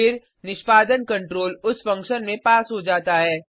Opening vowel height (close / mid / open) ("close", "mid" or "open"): close